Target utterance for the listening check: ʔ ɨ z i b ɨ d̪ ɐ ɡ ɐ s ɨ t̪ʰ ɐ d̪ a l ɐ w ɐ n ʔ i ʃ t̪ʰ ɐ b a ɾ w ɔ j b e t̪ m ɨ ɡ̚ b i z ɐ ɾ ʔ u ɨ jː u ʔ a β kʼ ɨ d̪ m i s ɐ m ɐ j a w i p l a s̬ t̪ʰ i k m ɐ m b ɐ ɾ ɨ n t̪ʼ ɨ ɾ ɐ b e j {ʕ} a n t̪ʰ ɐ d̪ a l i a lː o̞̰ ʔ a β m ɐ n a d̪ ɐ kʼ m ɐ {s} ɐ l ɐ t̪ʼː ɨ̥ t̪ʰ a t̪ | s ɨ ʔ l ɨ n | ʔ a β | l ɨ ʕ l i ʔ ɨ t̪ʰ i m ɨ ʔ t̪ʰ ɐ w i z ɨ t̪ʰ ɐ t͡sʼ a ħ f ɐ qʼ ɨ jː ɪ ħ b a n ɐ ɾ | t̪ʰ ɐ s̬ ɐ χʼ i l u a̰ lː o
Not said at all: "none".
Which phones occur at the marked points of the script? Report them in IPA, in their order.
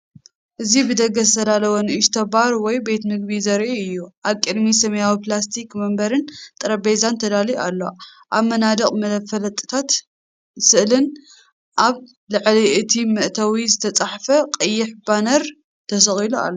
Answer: z, f

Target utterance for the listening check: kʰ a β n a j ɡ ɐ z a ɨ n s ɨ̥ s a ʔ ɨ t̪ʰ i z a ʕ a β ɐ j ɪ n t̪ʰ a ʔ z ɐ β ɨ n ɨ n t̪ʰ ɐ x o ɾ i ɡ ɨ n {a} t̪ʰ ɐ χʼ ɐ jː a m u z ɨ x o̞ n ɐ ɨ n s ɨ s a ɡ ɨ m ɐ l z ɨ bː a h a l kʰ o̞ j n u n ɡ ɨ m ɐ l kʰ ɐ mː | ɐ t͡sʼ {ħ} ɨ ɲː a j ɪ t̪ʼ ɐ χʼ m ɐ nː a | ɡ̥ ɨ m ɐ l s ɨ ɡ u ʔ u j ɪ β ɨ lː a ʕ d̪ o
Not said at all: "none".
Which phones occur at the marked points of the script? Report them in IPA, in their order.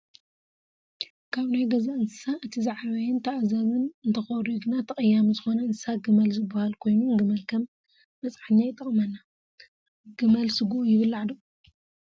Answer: a, ħ

